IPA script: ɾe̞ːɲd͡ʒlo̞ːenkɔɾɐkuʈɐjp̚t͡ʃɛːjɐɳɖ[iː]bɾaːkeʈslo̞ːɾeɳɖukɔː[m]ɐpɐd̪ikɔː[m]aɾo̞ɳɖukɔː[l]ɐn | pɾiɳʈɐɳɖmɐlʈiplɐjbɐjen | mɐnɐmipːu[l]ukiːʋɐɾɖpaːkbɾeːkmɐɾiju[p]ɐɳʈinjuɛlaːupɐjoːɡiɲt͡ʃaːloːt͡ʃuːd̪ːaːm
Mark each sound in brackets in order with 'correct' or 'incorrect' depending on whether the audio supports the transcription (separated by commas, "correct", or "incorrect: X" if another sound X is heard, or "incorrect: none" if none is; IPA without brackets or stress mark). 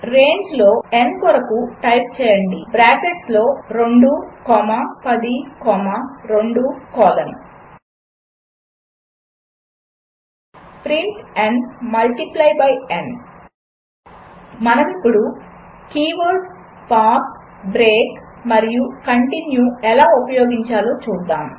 incorrect: i, correct, correct, correct, incorrect: ɽ, incorrect: k